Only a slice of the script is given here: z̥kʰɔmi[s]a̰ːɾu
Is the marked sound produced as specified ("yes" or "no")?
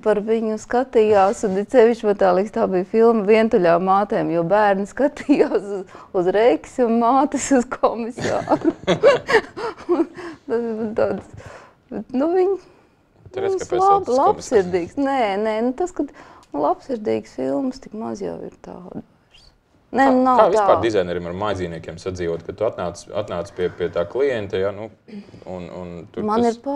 yes